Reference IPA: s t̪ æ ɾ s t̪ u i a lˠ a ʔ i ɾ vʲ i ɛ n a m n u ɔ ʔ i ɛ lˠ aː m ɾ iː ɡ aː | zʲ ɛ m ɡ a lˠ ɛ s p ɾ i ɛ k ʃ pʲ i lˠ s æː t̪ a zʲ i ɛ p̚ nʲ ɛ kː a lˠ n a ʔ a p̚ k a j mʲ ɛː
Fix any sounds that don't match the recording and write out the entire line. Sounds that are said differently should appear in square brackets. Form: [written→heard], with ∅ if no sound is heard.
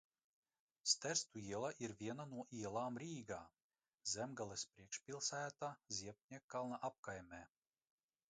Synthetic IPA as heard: s t̪ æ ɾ s t̪ u i [a→ɛ] lˠ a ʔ i ɾ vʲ i ɛ n a [m→∅] n u ɔ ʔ i ɛ lˠ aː m ɾ iː ɡ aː | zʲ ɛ m ɡ a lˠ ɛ s p ɾ i ɛ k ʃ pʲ i lˠ s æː t̪ a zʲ i ɛ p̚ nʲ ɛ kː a lˠ n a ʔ a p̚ k a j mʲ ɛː